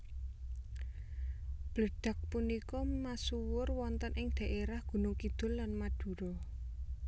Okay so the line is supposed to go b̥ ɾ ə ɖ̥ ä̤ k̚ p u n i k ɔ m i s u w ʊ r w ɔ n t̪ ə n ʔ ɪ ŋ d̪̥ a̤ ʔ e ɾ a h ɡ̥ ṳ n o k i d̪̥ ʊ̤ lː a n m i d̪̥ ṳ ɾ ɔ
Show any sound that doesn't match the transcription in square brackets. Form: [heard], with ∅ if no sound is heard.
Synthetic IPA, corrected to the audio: b̥ [l] ə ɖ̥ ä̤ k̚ p u n i k ɔ m [a] s u w ʊ r w ɔ n t̪ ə n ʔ ɪ ŋ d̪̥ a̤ ʔ e ɾ a h ɡ̥ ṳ n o k i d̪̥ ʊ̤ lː a n m [a] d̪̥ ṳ ɾ ɔ